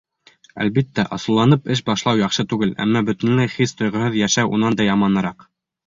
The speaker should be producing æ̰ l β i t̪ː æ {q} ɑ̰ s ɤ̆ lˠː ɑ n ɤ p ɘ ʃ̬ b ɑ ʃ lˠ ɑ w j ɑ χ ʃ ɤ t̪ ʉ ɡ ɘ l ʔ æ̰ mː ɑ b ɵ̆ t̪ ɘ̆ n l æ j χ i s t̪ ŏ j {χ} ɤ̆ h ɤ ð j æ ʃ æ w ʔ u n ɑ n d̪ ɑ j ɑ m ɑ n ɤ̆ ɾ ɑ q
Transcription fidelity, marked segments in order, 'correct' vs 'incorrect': incorrect: ʔ, incorrect: ʁ

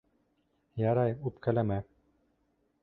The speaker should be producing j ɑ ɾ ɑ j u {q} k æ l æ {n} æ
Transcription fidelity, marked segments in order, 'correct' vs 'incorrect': incorrect: p, incorrect: m

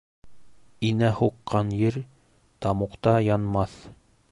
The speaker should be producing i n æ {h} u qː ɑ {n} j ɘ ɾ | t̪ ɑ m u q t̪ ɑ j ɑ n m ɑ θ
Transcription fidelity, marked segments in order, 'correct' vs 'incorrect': correct, correct

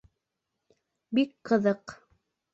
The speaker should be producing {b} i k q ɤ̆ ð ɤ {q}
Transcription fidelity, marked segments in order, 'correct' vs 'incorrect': correct, correct

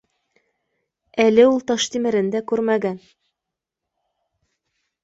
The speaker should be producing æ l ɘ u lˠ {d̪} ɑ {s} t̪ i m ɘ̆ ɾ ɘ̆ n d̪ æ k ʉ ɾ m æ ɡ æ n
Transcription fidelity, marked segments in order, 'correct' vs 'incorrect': incorrect: t̪, incorrect: ʃ

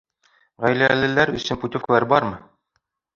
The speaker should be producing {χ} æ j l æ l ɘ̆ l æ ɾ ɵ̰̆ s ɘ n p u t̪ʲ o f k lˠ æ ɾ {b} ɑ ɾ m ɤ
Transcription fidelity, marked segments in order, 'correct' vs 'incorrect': incorrect: ʁ, correct

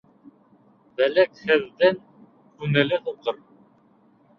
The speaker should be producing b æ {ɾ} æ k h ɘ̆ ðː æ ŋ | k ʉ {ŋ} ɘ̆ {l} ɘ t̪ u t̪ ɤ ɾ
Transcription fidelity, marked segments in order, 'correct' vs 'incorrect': incorrect: l, incorrect: n, correct

